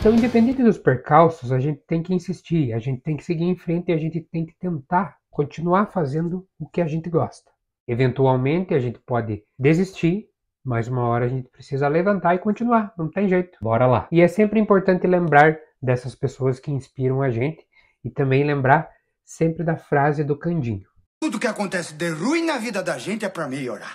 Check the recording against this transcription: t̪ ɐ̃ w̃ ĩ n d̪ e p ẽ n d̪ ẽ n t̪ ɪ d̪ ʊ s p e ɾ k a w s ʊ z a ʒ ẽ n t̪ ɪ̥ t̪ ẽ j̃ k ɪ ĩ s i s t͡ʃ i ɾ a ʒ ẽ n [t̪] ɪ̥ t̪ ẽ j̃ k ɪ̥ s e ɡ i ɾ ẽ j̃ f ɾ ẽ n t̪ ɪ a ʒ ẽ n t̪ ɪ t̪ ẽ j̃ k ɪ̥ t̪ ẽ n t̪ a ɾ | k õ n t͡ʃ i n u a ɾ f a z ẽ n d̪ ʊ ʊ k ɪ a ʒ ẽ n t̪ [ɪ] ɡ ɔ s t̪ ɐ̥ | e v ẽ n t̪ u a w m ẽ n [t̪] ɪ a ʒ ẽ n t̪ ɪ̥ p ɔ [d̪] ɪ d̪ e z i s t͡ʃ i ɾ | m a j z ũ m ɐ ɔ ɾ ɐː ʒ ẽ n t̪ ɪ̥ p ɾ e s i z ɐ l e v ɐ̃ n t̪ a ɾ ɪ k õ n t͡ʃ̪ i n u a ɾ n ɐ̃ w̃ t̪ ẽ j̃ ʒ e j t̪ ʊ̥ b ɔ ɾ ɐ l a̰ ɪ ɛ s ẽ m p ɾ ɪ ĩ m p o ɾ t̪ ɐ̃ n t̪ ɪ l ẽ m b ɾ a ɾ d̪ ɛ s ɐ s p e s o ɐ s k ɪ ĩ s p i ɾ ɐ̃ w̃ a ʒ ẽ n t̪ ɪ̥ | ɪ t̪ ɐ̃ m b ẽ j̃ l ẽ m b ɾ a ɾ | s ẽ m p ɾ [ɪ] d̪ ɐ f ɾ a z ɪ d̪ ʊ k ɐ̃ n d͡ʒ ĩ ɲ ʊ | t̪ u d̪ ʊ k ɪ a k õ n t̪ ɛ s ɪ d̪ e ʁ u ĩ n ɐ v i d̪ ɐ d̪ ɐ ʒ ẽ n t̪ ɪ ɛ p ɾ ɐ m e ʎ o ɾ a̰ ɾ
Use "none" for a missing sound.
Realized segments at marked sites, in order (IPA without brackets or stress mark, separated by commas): t̪, ɪ, t̪, d̪, ɪ